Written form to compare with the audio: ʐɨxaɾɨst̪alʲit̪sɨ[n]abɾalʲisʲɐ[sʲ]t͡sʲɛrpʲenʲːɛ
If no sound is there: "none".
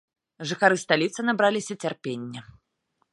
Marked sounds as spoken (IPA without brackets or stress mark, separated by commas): n, none